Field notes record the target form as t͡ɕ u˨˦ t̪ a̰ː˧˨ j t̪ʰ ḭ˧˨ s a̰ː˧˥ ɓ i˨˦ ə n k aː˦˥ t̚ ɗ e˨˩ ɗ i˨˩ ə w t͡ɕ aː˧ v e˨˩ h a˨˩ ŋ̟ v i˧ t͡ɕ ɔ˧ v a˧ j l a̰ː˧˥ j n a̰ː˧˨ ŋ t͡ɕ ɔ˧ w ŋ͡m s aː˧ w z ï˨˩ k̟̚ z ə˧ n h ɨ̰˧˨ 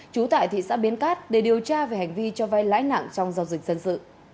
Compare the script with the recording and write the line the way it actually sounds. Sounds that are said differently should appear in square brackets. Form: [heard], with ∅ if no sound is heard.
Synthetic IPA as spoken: t͡ɕ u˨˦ t̪ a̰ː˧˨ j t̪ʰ ḭ˧˨ s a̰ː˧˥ ɓ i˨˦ ə n k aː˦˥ t̚ ɗ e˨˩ ɗ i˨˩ ə w t͡ɕ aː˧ v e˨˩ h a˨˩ ŋ̟ v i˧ t͡ɕ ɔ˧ v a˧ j l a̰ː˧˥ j n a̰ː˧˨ ŋ t͡ɕ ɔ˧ w ŋ͡m [z] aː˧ w z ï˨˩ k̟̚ z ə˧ n [s] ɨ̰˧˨